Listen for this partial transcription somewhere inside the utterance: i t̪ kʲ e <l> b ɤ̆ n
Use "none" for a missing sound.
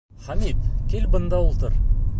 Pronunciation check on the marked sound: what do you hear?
l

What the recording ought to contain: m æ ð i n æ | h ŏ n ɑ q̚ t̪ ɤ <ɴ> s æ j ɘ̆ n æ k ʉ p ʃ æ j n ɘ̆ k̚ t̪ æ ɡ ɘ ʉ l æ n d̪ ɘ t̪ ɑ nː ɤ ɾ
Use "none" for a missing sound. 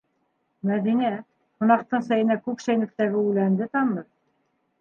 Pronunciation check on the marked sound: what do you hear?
ɴ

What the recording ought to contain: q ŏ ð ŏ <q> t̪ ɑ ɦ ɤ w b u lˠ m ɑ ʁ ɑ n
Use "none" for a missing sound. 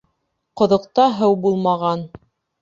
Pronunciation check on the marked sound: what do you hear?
q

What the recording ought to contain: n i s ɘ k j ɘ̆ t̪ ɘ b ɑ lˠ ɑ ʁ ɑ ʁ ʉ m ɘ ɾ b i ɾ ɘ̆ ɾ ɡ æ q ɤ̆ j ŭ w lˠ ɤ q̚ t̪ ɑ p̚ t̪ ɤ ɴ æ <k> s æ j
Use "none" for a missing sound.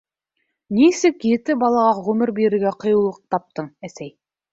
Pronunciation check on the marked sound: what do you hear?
none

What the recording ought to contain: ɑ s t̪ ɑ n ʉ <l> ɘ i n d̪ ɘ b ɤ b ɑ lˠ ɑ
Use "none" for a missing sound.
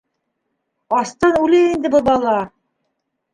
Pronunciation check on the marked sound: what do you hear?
l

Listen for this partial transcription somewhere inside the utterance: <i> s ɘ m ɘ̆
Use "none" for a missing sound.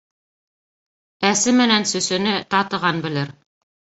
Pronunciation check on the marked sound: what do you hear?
æ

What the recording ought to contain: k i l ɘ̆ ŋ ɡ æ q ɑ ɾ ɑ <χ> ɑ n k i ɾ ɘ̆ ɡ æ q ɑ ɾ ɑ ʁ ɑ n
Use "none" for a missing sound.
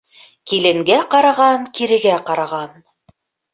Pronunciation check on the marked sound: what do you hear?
ʁ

